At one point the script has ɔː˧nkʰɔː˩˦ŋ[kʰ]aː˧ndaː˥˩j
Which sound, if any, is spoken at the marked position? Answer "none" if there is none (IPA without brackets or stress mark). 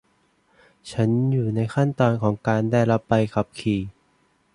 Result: k